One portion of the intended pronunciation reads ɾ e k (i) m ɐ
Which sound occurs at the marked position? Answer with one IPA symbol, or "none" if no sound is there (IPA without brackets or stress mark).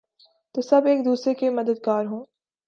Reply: e